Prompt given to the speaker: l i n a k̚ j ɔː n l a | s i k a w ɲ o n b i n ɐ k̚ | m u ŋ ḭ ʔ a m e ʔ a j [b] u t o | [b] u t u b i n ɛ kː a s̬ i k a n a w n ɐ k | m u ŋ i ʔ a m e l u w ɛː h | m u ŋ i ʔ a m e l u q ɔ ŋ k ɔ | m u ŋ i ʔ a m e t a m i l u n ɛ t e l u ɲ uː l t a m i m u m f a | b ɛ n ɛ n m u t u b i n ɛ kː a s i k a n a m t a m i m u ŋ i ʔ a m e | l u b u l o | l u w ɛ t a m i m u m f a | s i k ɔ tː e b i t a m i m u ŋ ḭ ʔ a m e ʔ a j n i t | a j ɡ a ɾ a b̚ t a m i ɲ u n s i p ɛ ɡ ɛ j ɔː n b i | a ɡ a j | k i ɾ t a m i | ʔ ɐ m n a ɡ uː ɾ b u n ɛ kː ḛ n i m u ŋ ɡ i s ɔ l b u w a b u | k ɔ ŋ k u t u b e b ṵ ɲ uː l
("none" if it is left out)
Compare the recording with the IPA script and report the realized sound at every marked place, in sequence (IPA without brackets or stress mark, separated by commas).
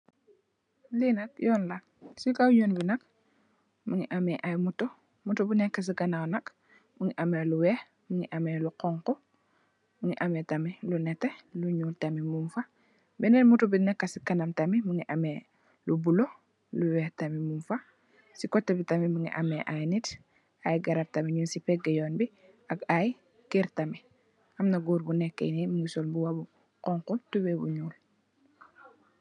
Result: m, m